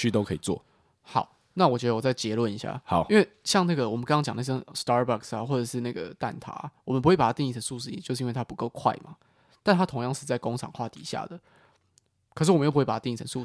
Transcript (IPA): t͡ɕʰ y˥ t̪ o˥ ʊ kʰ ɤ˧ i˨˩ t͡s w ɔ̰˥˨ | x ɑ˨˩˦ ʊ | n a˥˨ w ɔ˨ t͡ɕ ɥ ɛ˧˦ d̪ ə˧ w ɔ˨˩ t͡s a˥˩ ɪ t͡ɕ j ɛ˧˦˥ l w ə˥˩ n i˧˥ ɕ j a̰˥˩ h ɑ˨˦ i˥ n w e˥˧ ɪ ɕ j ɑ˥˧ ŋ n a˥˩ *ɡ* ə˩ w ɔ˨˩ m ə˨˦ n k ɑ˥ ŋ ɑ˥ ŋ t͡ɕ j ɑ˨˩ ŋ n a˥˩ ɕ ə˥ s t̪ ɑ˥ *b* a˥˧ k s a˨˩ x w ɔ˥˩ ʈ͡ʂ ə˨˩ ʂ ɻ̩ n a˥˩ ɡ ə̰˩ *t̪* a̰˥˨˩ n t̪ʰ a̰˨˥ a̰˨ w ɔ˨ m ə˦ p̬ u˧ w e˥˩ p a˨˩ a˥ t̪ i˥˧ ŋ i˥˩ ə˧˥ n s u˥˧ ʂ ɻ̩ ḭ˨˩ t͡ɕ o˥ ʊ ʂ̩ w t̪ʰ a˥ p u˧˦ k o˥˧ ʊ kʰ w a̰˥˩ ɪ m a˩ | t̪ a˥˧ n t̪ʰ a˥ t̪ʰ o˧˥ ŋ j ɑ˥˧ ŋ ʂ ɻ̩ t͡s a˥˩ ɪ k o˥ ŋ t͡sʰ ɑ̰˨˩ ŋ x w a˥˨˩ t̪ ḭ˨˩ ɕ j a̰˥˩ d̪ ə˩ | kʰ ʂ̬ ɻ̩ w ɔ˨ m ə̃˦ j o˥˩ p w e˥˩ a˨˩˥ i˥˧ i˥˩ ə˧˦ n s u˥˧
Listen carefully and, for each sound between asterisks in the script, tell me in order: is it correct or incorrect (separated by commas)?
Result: correct, correct, correct